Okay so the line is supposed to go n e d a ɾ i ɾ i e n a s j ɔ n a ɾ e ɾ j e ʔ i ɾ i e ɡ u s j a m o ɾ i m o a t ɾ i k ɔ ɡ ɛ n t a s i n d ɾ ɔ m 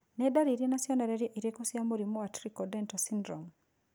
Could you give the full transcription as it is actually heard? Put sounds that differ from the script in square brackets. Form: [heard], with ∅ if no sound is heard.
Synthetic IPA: n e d a ɾ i ɾ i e n a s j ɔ n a ɾ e ɾ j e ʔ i ɾ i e [k] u s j a m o ɾ i m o a t ɾ i k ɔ [d] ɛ n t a s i n d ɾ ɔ m

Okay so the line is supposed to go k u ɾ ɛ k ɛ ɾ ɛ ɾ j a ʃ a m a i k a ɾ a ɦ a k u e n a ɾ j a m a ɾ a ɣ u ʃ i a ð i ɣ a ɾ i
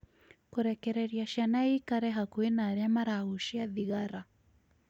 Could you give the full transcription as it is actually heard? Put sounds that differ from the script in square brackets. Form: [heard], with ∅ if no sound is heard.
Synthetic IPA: k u ɾ ɛ k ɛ ɾ ɛ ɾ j a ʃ a [n] a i k a ɾ [ɛ] ɦ a k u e n a ɾ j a m a ɾ a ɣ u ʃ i a ð i ɣ a ɾ [a]

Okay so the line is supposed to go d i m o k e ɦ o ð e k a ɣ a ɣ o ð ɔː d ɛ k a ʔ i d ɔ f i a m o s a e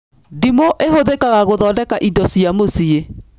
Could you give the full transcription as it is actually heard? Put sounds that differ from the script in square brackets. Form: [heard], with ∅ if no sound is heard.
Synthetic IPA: d i m o [ʔ] e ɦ o ð e k a ɣ a ɣ o ð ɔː d ɛ k a ʔ i d ɔ [s] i a m o s [i] e

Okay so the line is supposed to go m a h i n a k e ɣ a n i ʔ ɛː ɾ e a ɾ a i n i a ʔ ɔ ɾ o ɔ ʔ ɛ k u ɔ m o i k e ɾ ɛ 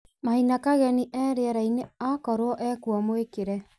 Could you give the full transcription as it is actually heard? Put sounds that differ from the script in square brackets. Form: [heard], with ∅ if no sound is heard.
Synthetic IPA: m a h i n a k [a] ɣ [ɛ] n i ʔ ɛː ɾ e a ɾ a i n [e] a [k] ɔ ɾ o ɔ ʔ ɛ k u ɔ m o [e] k e ɾ ɛ

